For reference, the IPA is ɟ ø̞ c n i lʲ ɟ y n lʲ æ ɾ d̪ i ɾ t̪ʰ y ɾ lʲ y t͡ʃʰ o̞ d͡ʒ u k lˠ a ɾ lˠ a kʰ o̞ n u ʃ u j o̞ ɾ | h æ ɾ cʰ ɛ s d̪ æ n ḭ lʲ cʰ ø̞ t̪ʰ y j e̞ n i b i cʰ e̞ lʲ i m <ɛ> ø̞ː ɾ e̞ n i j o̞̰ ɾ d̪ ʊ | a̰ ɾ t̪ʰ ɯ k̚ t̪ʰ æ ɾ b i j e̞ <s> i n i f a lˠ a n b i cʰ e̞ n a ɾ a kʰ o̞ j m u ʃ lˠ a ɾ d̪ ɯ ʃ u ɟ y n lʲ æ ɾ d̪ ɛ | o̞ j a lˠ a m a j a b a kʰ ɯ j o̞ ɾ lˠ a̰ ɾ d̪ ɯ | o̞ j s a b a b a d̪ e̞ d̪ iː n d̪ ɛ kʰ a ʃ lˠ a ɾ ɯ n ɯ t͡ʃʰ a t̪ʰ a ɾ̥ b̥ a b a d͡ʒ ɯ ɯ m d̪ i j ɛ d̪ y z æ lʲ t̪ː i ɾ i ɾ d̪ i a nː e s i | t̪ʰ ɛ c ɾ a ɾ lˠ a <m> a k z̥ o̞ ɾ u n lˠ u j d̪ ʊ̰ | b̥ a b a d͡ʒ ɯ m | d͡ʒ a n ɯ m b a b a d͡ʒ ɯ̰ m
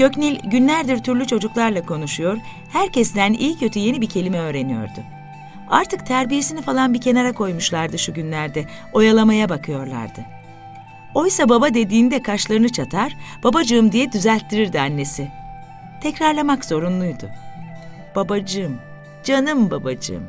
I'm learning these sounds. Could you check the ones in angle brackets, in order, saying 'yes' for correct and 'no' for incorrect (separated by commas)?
yes, yes, yes